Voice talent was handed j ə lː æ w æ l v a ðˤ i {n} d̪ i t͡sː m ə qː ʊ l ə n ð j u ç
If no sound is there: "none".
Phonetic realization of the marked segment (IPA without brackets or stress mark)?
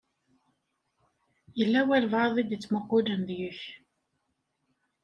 none